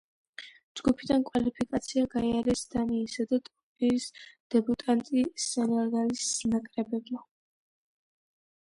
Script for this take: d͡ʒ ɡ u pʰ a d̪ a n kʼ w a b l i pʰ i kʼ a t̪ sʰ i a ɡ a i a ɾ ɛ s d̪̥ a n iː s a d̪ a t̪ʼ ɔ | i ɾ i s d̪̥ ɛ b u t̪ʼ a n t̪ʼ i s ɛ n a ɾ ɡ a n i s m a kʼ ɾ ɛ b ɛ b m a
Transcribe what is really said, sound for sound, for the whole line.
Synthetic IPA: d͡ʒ ɡ u pʰ i d̪ a n kʼ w a l i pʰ i kʼ a t̪ sʰ i a ɡ a i a ɾ ɛ s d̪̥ a n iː s a d̪ a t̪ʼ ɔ | i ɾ i s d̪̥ ɛ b u t̪ʼ a n t̪ʼ i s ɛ n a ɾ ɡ a n i s n a kʼ ɾ ɛ b ɛ b m a